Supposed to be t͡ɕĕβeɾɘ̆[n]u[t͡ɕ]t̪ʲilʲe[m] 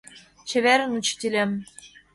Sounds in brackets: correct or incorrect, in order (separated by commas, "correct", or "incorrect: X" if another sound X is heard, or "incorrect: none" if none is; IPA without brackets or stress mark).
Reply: correct, correct, correct